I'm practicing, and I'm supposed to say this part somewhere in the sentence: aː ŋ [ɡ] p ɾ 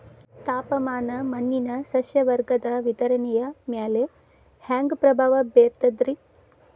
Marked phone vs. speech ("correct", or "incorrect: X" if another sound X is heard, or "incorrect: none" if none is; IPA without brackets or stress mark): correct